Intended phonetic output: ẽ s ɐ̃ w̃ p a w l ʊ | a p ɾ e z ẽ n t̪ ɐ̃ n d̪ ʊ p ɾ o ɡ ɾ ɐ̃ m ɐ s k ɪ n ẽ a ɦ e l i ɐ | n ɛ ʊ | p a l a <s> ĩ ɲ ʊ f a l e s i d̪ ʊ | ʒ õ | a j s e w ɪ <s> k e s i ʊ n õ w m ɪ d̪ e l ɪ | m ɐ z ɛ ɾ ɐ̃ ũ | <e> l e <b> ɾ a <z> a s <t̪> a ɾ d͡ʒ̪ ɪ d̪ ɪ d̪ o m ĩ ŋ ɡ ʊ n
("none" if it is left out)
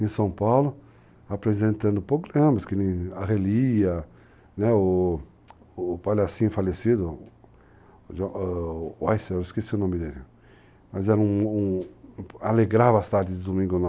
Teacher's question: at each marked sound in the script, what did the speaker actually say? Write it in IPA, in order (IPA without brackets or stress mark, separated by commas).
s, s, a, ɡ, v, t̪